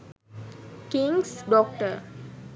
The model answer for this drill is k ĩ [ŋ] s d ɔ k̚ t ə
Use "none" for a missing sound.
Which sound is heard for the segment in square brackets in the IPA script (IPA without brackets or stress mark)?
ŋ